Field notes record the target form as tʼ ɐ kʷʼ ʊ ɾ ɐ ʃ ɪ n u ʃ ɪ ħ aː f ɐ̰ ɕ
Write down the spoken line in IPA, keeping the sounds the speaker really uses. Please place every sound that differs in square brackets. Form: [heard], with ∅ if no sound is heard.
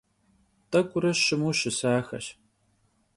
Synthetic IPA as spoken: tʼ ɐ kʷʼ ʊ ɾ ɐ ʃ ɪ [m] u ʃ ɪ [s] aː [x] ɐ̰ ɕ